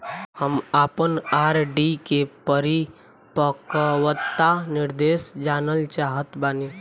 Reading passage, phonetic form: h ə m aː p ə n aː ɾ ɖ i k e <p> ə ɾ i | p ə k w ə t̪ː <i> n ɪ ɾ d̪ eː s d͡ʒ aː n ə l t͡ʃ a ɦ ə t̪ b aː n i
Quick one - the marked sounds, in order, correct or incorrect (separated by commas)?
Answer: correct, incorrect